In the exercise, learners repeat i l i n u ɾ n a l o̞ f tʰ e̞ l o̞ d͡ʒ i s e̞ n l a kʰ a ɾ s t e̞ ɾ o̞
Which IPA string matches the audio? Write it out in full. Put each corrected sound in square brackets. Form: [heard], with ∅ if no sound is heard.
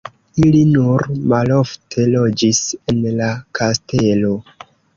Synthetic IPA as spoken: i l i n u ɾ [m] a l o̞ f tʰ e̞ l o̞ d͡ʒ i s e̞ n l a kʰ a [∅] s t e̞ [l] o̞